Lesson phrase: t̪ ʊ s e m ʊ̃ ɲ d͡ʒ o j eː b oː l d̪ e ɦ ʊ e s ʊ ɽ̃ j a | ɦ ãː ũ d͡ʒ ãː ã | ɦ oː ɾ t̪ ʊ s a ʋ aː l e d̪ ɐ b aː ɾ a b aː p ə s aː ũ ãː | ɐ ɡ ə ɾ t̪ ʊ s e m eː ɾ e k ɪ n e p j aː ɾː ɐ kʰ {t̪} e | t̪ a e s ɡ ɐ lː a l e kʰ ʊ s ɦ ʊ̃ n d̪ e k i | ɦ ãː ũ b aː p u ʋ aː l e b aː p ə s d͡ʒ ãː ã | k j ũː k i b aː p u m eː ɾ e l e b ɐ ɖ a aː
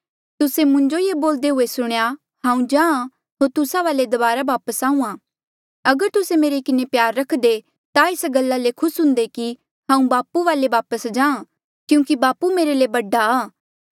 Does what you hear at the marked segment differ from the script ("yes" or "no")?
yes